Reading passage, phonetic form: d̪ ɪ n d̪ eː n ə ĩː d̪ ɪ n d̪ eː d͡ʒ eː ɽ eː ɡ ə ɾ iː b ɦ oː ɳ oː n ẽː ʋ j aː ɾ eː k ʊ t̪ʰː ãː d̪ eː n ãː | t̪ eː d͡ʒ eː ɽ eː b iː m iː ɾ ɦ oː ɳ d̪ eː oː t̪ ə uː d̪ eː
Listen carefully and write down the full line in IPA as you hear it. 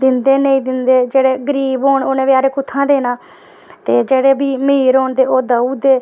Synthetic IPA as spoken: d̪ ɪ n d̪ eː n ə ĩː d̪ ɪ n d̪ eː d͡ʒ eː ɽ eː ɡ ə ɾ iː b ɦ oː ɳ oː n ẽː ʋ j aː ɾ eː k ʊ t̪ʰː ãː d̪ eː n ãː | t̪ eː d͡ʒ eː ɽ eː b iː m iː ɾ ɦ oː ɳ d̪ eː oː d̪ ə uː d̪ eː